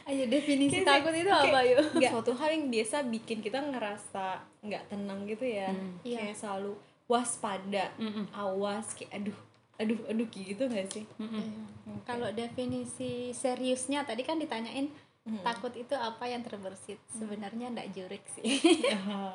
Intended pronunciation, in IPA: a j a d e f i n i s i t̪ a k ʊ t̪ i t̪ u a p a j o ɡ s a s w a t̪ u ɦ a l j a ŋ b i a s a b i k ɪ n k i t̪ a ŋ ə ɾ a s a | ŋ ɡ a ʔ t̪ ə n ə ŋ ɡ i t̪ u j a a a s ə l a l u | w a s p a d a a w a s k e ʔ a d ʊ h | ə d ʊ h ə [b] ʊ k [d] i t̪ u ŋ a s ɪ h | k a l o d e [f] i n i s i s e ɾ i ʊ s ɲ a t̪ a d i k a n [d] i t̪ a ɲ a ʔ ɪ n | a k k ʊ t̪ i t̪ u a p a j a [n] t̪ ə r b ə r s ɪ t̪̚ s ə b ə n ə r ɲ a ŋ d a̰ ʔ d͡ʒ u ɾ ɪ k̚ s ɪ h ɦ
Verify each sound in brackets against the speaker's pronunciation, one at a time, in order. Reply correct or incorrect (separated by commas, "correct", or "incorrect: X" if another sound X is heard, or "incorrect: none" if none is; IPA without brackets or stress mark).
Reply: incorrect: d, incorrect: ɡ, correct, correct, incorrect: ŋ